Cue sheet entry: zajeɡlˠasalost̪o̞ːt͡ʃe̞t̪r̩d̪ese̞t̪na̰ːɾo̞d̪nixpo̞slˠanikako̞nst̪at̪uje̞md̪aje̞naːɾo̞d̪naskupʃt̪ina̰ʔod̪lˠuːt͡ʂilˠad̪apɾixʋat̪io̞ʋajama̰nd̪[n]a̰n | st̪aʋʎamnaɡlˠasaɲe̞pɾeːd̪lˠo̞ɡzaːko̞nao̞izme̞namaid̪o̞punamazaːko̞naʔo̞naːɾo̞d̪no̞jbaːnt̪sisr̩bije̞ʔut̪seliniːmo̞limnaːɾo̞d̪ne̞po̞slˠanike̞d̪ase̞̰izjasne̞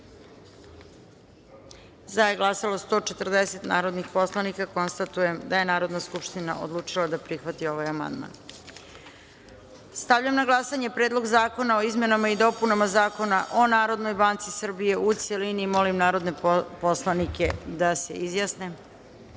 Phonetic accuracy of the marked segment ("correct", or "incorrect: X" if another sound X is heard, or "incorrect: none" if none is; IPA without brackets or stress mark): incorrect: m